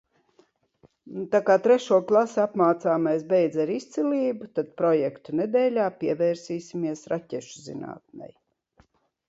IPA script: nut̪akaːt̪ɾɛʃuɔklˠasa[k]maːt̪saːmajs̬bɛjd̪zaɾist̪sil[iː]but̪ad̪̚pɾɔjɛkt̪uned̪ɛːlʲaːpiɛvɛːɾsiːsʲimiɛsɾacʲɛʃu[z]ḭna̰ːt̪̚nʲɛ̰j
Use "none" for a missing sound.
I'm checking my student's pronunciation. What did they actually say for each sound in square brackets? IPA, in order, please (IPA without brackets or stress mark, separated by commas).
p, iː, z